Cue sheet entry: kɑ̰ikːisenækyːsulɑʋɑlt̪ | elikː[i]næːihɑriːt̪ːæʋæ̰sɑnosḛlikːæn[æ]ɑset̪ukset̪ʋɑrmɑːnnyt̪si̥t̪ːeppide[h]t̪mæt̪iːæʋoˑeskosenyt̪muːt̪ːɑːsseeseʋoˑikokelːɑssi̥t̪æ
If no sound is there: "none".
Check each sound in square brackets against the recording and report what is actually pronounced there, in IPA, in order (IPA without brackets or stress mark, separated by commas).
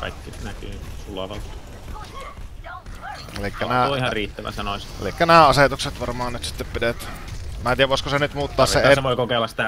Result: æ, æː, none